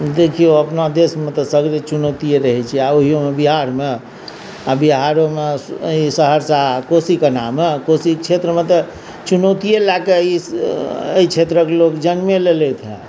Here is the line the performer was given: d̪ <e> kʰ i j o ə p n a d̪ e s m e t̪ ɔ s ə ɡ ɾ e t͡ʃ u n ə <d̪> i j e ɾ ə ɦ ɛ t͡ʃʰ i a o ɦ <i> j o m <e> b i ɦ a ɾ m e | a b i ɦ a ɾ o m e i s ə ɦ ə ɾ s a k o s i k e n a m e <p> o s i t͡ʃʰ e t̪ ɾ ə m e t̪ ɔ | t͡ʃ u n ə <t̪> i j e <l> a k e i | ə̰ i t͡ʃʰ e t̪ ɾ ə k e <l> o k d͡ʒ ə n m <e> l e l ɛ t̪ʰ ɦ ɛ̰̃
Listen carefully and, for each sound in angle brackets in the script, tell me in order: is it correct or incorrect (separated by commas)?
correct, incorrect, correct, correct, incorrect, correct, correct, correct, correct